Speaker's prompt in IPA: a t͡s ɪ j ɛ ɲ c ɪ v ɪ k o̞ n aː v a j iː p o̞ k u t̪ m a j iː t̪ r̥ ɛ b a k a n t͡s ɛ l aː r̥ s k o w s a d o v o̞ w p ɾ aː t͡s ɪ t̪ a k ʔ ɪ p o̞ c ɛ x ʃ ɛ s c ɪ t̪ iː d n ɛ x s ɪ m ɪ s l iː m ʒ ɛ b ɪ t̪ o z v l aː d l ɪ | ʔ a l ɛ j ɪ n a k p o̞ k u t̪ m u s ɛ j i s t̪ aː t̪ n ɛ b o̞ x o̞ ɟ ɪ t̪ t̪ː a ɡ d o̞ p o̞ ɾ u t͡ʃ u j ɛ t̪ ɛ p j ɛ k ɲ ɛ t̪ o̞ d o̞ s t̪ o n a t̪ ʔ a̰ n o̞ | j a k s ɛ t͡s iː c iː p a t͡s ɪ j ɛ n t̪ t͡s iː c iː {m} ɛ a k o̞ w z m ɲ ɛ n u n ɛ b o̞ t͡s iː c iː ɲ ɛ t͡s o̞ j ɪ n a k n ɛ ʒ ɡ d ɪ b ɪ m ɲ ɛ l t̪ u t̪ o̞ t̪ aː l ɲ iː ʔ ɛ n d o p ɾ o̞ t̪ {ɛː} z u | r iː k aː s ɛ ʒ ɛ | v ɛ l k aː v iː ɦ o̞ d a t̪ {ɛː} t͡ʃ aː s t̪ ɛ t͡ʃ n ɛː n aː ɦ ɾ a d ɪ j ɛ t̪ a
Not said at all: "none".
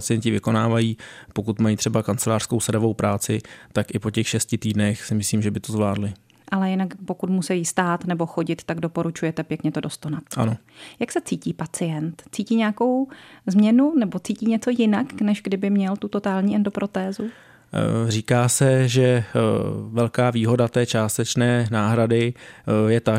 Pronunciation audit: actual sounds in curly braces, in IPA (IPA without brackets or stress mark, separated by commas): ɲ, ɛː, ɛː